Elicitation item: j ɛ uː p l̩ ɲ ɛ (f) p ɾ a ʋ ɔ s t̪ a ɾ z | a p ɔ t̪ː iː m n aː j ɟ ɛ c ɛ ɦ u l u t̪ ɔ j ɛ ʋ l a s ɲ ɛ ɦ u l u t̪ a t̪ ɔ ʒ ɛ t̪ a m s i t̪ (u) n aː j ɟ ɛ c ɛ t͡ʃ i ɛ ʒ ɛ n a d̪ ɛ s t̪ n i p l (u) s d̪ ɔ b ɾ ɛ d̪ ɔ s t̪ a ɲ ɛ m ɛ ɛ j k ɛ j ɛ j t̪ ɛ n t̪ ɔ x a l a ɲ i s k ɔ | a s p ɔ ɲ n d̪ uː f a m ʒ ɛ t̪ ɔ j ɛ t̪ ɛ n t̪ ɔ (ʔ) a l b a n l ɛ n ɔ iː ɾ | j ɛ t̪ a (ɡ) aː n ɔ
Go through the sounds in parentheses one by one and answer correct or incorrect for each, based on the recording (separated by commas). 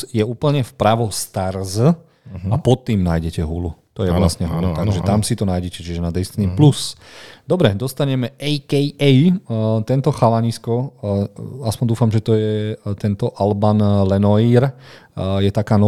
correct, incorrect, correct, correct, incorrect